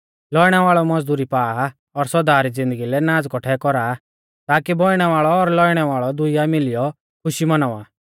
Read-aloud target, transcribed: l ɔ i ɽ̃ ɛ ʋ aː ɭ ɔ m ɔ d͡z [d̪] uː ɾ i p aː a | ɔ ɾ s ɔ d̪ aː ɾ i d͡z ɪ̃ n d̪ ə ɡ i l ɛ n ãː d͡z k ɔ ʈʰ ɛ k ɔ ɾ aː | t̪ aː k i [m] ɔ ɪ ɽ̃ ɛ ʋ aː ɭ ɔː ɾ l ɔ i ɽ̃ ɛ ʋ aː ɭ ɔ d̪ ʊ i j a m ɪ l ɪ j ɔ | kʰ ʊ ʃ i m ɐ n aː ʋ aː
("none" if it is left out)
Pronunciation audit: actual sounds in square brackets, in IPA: d̪, b

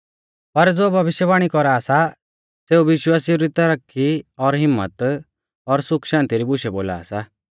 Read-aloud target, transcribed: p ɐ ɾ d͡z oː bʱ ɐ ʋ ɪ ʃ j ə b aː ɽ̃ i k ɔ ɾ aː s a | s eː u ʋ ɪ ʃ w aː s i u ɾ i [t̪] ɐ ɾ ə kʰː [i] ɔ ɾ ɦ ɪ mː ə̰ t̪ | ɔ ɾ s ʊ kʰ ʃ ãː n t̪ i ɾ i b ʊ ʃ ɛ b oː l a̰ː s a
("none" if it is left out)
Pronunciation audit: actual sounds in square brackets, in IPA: t̪, i

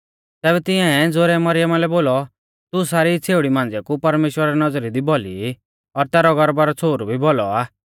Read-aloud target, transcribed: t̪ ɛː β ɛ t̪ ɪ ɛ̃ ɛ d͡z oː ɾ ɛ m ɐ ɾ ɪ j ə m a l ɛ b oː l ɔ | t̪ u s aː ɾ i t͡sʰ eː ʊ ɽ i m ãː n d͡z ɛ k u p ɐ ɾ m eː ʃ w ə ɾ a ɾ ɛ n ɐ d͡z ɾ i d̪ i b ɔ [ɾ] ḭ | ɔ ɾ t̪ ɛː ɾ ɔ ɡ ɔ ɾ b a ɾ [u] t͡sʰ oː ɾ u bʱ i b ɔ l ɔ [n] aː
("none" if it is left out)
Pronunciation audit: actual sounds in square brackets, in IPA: l, ɔ, none

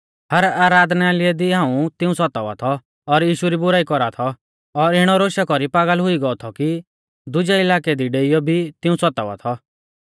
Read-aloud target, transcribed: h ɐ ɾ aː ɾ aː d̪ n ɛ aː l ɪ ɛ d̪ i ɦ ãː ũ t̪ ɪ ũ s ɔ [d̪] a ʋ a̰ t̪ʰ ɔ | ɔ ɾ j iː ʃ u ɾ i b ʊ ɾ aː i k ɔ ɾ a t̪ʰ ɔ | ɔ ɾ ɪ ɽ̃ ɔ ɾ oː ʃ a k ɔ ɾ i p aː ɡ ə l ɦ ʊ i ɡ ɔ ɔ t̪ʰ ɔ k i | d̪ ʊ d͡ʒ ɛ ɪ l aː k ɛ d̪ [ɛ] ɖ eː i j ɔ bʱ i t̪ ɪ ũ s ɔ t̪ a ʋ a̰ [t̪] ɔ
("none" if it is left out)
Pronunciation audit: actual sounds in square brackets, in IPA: t̪, i, t̪ʰ

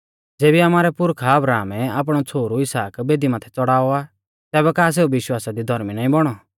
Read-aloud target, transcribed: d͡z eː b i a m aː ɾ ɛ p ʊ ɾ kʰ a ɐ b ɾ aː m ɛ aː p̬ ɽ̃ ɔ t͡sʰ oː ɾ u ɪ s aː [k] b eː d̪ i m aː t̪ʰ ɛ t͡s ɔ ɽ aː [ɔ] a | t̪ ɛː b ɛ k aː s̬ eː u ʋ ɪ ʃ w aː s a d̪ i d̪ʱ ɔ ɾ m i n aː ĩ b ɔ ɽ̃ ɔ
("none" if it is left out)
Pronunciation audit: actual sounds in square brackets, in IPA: k, ɔ

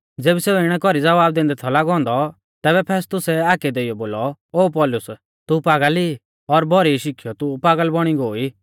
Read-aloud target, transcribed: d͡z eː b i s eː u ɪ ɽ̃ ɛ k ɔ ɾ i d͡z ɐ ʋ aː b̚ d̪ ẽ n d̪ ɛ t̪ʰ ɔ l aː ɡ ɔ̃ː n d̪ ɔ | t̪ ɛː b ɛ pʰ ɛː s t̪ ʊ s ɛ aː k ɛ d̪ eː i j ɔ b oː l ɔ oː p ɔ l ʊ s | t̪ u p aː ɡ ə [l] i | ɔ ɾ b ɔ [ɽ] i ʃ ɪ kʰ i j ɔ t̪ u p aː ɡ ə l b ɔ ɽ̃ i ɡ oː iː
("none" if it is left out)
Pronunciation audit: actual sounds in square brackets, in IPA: l, ɾ

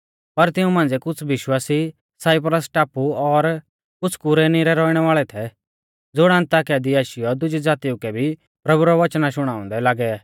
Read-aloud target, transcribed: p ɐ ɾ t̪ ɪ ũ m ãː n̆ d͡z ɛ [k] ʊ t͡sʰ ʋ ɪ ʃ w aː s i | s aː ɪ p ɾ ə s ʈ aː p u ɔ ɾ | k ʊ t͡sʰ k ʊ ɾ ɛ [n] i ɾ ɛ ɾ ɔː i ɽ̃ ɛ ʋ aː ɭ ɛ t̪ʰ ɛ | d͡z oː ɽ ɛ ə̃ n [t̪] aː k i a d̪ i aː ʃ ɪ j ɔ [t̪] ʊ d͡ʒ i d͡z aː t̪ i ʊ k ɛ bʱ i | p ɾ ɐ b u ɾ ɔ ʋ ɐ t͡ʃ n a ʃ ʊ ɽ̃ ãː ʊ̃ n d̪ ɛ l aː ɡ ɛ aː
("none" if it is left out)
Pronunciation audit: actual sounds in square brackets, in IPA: k, n, t̪, d̪

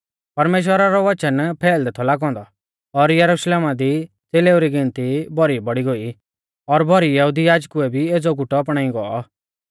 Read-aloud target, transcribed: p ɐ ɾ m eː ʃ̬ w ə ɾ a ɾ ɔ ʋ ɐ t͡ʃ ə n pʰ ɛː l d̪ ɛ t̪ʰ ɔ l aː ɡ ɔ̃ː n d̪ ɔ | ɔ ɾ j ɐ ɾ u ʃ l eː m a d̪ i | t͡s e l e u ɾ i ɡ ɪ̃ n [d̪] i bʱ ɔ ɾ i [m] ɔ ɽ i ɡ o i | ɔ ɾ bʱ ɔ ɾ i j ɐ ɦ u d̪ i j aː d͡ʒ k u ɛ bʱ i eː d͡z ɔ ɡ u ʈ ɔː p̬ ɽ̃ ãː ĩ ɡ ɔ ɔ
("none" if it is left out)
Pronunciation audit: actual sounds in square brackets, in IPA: t̪, b

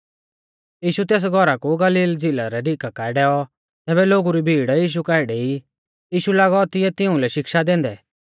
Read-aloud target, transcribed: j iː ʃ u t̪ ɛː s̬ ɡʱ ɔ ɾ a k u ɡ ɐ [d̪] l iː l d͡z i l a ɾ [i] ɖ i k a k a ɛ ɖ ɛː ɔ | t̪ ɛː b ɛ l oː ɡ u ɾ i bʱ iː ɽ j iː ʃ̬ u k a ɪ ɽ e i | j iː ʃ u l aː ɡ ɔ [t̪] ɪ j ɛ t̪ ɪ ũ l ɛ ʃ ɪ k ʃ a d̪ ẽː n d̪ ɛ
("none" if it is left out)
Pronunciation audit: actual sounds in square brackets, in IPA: none, ɛ, t̪

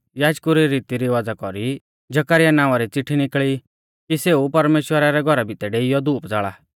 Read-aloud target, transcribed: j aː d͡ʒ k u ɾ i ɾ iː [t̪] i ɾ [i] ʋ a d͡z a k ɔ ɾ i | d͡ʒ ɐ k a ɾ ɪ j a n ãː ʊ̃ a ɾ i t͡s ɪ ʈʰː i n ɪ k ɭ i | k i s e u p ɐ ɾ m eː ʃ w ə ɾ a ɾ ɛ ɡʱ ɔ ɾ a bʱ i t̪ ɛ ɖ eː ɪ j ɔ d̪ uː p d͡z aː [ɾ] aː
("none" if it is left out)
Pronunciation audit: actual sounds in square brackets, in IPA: t̪, i, ɭ

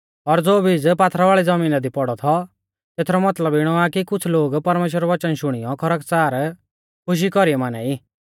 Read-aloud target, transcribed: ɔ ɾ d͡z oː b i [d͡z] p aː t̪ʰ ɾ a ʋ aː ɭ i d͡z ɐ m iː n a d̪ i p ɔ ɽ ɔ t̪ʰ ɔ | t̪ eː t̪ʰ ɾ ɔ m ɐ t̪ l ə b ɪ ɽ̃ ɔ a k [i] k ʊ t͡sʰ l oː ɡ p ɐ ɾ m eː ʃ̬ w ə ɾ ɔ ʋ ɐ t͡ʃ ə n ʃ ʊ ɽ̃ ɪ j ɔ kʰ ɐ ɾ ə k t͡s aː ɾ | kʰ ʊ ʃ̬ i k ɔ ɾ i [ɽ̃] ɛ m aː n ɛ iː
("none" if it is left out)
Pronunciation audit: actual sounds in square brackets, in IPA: d͡z, i, none

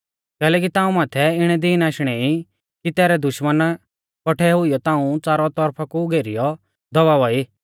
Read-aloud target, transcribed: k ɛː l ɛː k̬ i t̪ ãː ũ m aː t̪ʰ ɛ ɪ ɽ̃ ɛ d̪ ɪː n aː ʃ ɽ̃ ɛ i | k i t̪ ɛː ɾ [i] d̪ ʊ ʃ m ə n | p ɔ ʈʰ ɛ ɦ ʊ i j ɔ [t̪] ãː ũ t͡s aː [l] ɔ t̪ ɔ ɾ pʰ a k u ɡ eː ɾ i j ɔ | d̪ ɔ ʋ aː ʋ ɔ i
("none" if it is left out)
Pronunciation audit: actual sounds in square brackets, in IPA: ɛ, t̪, ɾ

